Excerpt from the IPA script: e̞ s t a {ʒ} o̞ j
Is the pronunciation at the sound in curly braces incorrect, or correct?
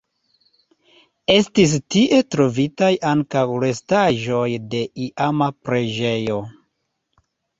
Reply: correct